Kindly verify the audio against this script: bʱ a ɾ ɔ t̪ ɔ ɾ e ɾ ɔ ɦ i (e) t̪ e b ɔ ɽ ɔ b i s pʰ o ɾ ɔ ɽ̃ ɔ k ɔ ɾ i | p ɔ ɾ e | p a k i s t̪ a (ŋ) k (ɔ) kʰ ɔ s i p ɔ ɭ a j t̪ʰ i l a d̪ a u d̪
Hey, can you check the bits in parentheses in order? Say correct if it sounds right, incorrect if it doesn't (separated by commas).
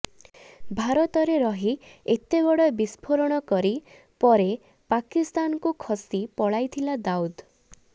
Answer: correct, incorrect, incorrect